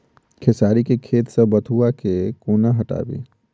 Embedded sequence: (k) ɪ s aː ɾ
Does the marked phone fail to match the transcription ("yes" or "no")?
yes